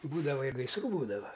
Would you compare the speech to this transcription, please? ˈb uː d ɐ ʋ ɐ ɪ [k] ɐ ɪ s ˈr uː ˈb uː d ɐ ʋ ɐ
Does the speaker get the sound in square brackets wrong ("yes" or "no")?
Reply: yes